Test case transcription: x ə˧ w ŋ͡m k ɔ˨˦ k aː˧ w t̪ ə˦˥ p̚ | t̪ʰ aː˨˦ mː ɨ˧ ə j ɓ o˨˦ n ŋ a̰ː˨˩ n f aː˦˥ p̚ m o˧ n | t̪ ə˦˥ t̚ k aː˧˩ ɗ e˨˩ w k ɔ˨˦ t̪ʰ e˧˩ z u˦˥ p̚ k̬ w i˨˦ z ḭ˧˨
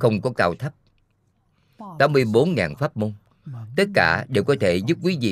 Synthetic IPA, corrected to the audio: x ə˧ w ŋ͡m k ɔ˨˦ k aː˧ w t̪ʰ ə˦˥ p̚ | t̪ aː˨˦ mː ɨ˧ ə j ɓ o˨˦ n ŋ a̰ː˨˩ n f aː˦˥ p̚ m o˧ n | t̪ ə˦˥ t̚ k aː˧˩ ɗ e˨˩ w k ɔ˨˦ t̪ʰ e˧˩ z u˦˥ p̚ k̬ w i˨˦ z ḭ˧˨